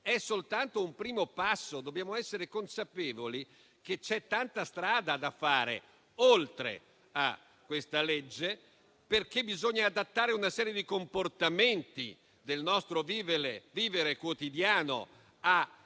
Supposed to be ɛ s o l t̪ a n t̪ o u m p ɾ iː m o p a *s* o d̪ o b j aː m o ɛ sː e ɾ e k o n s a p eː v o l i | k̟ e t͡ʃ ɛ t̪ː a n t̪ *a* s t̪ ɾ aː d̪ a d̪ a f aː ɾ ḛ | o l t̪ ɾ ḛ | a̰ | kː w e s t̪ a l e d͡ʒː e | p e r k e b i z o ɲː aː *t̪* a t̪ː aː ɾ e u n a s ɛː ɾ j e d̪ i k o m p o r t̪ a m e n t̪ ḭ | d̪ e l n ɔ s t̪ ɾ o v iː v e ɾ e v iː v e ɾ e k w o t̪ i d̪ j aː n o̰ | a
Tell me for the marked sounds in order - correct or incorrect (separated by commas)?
incorrect, correct, incorrect